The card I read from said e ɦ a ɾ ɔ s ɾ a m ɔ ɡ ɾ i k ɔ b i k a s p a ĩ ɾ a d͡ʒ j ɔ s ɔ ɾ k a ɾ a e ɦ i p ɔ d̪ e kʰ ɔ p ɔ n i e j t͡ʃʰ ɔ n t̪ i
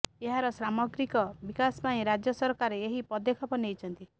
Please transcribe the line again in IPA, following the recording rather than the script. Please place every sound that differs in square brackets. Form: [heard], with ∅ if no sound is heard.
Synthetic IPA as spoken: e ɦ a ɾ ɔ s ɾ a m ɔ ɡ ɾ i k ɔ b i k a s p a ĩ ɾ a d͡ʒ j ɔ s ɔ ɾ k a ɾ [e] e ɦ i p ɔ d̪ e kʰ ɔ p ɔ n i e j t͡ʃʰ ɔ n t̪ i